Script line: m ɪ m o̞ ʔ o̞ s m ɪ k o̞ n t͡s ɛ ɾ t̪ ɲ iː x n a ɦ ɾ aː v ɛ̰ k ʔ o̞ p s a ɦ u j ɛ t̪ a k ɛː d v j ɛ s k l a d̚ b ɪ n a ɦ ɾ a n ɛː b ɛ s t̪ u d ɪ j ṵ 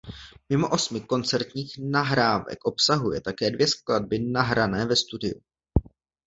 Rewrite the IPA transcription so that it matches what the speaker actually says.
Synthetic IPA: m ɪ m o̞ ʔ o̞ s m ɪ k o̞ n t͡s ɛ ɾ t̪ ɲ iː x n a ɦ ɾ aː v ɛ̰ k ʔ o̞ p s a ɦ u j ɛ t̪ a k ɛː d v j ɛ s k l a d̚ b ɪ n a ɦ ɾ a n ɛː v ɛ s t̪ u d ɪ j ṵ